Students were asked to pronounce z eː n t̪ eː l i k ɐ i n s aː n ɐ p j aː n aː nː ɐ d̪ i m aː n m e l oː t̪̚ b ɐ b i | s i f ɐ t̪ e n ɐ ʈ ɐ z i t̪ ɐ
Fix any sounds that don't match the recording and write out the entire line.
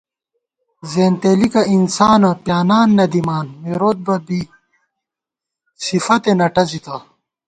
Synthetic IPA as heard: z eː n t̪ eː l i k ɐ i n s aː n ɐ p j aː n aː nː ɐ d̪ i m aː n m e ɾ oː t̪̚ b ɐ b i | s i f ɐ t̪ e n ɐ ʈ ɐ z i t̪ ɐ